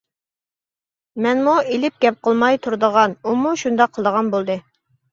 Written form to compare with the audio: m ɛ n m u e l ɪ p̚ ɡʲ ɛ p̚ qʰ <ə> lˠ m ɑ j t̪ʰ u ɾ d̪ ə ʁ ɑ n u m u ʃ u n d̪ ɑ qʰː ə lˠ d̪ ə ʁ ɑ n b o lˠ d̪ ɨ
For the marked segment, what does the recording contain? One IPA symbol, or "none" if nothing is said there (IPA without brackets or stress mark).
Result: ə